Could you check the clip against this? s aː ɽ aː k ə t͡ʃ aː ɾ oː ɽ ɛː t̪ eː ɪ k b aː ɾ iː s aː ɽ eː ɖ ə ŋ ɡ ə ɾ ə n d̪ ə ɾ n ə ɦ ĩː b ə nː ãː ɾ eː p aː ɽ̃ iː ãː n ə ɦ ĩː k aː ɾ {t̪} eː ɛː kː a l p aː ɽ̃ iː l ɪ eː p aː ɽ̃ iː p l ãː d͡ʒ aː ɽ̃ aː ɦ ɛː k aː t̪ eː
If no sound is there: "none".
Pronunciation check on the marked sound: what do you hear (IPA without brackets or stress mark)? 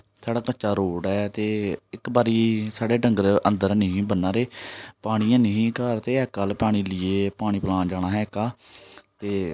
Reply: t̪